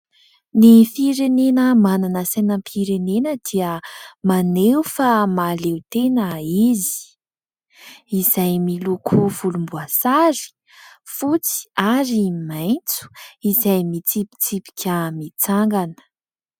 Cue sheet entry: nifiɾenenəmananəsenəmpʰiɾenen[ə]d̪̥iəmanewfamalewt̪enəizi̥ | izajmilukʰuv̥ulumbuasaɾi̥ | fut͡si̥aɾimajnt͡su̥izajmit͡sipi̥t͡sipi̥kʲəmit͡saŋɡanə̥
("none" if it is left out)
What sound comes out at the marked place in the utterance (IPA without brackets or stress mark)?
ə